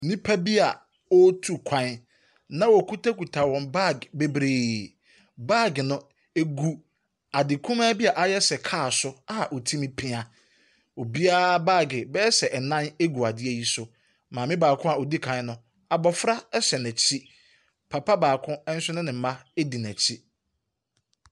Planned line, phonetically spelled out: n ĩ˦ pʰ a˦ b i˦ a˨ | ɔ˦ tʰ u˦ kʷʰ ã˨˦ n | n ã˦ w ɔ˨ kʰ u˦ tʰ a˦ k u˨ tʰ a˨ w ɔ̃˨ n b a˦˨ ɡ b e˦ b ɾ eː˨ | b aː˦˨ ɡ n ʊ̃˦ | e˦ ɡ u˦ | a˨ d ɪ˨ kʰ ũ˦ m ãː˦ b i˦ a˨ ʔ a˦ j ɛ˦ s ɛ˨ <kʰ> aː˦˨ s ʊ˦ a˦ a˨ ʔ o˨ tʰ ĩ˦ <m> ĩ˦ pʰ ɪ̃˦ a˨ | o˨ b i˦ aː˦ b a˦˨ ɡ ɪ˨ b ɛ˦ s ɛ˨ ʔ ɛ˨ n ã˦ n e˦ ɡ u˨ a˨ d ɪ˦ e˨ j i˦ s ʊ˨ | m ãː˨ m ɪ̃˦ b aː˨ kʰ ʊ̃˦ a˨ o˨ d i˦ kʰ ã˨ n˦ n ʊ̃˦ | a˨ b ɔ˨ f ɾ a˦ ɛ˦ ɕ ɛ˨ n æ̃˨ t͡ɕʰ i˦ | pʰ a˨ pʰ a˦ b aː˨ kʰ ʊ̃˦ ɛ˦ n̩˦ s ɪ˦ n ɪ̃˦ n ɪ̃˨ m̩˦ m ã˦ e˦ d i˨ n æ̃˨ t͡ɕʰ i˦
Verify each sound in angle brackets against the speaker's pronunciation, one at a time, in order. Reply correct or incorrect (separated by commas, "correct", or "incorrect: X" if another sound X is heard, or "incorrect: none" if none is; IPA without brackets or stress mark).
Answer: correct, correct